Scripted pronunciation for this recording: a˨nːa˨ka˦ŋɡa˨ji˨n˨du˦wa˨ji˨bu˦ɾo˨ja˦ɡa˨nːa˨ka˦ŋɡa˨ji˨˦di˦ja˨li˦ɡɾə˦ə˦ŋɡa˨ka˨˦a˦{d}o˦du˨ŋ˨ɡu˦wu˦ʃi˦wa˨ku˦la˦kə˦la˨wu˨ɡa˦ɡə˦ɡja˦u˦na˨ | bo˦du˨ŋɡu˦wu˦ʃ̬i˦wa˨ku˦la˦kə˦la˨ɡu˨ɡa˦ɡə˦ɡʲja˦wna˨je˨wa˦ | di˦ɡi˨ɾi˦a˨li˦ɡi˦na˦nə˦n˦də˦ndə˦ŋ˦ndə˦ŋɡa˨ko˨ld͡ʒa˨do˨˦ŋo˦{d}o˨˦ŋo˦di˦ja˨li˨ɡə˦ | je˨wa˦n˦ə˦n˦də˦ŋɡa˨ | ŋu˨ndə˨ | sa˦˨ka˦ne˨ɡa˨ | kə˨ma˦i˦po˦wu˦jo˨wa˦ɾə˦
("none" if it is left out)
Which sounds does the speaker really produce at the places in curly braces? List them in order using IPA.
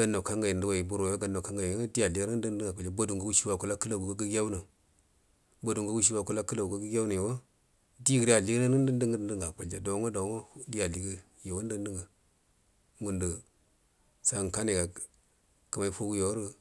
b, d

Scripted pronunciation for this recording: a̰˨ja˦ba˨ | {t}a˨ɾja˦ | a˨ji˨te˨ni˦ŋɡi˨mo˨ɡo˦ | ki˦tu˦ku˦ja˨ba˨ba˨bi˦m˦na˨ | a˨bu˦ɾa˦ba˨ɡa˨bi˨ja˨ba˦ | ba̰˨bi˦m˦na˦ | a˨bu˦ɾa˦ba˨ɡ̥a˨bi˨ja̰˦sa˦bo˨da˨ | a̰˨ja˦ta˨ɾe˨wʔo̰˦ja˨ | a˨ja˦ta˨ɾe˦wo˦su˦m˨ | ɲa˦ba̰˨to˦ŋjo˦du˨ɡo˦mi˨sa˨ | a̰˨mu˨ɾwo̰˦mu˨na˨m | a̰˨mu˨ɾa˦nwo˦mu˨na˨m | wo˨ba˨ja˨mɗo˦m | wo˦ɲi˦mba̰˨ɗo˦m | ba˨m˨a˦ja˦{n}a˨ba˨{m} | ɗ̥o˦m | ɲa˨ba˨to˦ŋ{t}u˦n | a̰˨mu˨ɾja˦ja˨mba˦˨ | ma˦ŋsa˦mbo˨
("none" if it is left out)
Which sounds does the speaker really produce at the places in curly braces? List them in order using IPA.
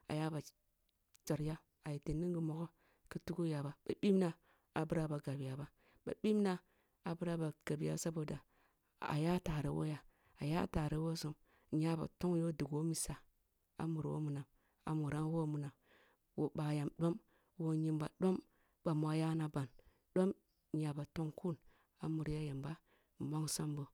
t͡ʃ, n, n, k

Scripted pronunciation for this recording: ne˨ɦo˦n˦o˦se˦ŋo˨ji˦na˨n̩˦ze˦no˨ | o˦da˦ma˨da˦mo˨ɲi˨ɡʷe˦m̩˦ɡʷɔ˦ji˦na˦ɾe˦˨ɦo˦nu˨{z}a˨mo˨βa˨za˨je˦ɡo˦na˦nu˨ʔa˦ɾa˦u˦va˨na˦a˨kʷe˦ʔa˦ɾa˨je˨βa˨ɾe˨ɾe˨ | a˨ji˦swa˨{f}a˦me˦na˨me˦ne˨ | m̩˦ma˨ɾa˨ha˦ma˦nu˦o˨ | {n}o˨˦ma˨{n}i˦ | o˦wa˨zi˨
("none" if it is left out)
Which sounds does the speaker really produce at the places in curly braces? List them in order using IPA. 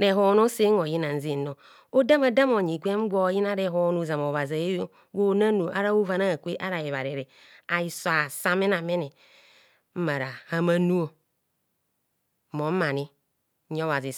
z, s, m, n

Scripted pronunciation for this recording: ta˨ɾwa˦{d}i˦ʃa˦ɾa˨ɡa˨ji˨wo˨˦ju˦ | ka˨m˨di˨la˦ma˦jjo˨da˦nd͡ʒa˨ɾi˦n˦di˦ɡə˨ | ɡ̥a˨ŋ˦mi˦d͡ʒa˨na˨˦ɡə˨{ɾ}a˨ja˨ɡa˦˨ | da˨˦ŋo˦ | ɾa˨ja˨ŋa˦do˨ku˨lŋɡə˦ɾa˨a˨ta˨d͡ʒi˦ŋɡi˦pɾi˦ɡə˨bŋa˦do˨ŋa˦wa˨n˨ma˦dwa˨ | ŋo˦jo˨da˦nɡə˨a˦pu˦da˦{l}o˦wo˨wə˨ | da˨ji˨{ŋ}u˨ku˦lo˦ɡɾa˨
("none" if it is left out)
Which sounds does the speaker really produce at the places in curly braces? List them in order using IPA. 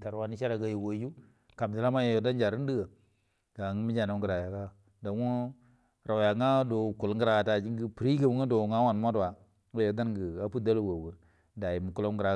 n, ɾ, l, m

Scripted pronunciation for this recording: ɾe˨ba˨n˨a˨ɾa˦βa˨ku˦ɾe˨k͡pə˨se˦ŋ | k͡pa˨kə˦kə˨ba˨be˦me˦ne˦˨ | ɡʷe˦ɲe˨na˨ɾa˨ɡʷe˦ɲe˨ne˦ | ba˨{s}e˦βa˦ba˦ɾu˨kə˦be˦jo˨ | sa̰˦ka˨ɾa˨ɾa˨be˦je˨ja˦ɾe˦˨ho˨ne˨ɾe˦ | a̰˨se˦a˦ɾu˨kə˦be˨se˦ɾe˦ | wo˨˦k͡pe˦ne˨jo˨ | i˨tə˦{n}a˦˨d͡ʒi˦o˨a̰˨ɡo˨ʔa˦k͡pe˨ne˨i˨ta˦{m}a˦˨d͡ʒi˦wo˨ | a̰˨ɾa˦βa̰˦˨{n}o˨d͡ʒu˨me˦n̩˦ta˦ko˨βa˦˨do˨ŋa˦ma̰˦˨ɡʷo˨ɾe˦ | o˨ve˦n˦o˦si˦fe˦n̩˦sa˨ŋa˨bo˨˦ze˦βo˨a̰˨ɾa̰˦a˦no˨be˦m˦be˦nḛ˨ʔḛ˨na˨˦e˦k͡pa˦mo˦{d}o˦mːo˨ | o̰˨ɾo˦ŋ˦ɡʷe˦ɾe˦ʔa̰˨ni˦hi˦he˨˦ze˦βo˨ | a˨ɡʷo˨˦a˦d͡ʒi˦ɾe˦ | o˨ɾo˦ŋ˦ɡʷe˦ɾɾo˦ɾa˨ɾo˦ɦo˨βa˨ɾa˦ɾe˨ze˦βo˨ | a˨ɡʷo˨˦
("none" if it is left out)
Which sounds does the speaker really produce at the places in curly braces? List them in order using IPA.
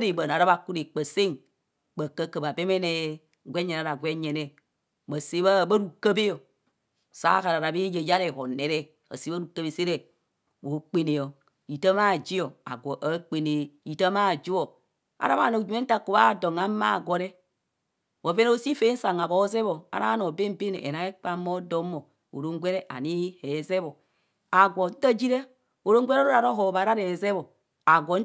s, m, m, n, d

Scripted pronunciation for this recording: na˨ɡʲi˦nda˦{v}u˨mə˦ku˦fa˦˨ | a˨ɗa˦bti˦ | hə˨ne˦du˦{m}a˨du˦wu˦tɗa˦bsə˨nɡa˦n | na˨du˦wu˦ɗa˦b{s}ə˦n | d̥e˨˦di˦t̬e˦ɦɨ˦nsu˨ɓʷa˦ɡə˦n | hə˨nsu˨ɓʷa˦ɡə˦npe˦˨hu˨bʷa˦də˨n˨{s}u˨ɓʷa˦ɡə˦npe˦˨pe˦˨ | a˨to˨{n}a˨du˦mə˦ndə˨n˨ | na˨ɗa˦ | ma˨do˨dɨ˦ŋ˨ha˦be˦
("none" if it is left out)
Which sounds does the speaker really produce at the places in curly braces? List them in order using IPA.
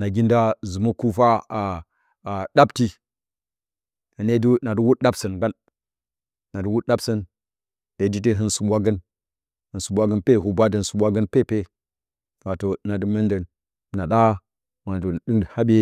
z, n, s, s, n

